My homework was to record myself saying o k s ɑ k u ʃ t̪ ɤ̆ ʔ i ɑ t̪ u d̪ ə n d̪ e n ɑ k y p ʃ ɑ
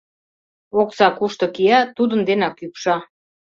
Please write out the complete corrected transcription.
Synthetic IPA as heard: o k s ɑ k u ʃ t̪ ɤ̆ k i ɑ t̪ u d̪ ə n d̪ e n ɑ k y p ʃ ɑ